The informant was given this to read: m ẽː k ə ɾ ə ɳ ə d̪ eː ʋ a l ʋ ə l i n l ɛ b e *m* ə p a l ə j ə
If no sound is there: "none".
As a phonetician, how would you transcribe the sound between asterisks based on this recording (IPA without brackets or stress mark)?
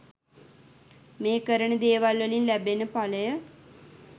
n